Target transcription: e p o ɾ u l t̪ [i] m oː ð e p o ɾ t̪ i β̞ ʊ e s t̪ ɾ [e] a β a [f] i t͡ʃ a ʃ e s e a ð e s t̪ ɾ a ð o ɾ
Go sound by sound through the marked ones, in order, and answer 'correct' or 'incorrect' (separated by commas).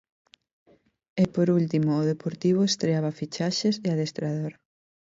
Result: correct, correct, correct